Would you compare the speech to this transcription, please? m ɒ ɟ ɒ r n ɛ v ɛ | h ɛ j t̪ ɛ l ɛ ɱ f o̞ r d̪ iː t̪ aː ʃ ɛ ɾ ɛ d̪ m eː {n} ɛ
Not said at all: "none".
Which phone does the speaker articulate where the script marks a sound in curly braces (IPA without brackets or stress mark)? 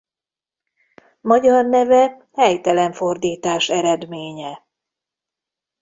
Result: ɲ